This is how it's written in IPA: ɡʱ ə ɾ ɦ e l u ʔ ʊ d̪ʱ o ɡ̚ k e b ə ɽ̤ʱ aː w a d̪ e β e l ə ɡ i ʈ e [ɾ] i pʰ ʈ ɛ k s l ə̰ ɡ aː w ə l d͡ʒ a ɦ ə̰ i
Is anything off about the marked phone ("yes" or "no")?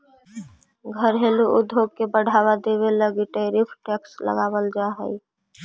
no